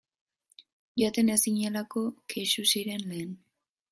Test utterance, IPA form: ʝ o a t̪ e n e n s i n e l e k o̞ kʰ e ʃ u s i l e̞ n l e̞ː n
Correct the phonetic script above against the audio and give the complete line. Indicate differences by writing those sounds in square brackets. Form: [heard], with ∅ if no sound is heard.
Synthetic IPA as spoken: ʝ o a t̪ e n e [∅] s i [ɲ] e l [a] k o̞ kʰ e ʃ u s i [ɾ] e̞ n l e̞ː n